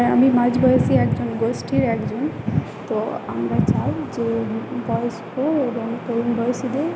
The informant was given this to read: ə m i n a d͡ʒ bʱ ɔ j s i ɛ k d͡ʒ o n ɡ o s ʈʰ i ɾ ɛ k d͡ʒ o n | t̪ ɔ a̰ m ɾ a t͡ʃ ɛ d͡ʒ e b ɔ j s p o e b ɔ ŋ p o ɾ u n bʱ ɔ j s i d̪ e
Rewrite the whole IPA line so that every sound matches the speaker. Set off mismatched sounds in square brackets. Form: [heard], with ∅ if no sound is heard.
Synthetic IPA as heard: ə m i [m] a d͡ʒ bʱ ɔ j s i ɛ k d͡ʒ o n ɡ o s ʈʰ i ɾ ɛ k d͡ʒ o n | t̪ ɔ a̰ m ɾ a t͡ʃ [a] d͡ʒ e b ɔ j s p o e b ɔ ŋ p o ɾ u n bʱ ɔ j s i d̪ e